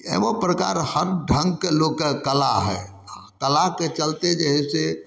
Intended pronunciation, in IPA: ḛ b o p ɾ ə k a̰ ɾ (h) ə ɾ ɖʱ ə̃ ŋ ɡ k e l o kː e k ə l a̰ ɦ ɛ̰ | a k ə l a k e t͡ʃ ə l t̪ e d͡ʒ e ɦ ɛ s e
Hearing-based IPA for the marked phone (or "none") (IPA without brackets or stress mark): h